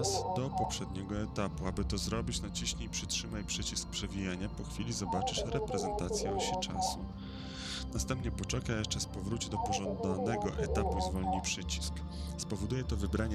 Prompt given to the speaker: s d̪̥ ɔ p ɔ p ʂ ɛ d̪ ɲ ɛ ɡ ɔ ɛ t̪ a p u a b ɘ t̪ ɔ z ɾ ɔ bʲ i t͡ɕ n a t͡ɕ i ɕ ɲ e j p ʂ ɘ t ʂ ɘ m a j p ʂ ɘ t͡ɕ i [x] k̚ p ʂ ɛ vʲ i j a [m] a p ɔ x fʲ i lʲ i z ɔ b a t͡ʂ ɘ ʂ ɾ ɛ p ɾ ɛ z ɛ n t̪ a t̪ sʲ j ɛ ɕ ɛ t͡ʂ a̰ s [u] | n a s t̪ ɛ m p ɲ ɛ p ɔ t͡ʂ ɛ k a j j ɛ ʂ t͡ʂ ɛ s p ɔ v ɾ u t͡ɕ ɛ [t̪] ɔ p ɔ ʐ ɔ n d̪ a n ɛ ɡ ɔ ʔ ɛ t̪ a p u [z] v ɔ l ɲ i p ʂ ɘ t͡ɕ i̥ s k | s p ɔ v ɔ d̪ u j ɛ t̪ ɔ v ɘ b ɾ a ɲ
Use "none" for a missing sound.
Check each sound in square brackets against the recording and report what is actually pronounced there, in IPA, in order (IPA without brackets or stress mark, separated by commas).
s, ɲ, u, d̪, z